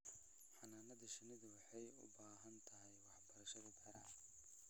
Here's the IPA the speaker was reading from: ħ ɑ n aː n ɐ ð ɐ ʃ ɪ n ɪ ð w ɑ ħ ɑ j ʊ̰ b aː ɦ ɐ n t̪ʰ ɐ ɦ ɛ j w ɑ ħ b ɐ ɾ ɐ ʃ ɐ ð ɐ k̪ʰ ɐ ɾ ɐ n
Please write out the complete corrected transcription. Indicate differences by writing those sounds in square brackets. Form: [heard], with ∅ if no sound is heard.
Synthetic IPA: ħ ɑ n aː n ɐ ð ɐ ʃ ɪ n ɪ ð w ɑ ħ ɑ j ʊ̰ b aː ɦ ɐ n t̪ʰ ɐ ɦ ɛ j w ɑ ħ b ɐ ɾ ɐ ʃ ɐ ð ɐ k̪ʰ ɐ ɾ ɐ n